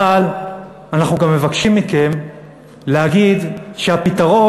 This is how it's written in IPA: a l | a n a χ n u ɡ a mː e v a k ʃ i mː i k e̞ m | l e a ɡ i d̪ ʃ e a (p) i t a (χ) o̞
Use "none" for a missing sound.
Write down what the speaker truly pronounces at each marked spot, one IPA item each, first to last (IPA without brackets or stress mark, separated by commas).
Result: p, ʁ